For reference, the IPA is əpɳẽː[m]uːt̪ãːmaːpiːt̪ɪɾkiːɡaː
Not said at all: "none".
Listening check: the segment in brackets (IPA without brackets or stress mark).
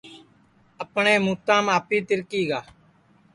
m